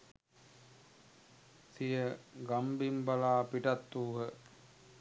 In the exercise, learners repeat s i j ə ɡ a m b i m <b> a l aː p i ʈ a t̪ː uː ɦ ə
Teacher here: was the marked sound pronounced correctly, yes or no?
yes